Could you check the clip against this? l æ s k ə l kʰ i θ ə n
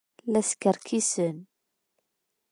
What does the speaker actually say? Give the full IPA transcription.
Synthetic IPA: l æ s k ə ɾ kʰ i s ə n